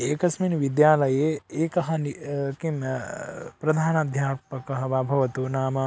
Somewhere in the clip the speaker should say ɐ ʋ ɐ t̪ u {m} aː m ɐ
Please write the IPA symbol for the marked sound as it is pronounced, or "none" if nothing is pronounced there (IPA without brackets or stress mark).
n